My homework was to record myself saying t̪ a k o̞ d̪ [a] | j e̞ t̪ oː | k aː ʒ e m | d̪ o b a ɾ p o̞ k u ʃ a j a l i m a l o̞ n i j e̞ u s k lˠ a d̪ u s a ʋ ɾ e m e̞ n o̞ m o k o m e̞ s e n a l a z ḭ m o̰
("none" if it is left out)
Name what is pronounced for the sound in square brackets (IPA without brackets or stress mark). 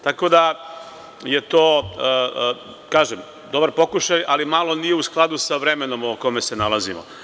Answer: a